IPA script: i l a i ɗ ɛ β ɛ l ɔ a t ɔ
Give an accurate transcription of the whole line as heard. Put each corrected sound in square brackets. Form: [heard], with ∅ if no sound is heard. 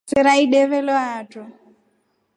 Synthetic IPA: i [ɾ] a i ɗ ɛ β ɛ l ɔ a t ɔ

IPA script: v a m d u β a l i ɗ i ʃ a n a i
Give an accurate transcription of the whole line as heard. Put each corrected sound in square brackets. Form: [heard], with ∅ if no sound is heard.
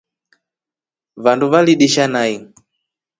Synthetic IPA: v a [n] d u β a l i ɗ i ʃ a n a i

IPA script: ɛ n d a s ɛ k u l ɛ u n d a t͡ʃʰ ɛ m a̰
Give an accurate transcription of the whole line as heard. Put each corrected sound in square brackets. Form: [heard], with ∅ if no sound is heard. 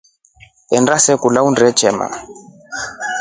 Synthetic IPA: ɛ n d a s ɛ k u l [a] u n d [ɛ] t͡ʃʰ ɛ m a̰

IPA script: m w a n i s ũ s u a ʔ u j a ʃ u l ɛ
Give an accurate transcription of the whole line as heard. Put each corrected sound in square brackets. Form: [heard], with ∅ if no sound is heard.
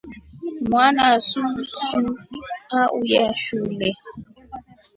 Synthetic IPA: m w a n [a] s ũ s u a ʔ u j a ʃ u l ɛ

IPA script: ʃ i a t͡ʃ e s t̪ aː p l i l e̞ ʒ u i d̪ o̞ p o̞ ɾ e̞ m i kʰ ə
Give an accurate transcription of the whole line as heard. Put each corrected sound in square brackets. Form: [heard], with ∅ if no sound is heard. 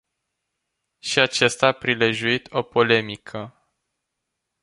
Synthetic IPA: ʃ i a t͡ʃ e s t̪ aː p [ɾ] i l e̞ ʒ u i [t̪] o̞ p o̞ [l] e̞ m i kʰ ə

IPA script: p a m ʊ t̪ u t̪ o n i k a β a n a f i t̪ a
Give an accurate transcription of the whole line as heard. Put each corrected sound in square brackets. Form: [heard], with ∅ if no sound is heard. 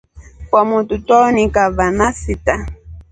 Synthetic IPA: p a m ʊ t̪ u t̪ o n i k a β a n a [s] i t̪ a

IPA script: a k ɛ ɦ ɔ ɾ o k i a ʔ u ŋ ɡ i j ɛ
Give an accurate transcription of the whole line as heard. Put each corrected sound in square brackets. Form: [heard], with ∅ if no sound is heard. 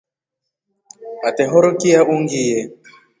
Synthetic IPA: a [t] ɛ ɦ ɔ ɾ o k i a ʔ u ŋ ɡ i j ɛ

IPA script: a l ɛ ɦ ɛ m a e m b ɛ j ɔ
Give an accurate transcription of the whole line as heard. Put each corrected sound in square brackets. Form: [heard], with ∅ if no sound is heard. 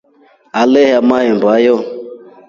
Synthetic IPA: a l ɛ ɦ [a] m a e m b [a] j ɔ

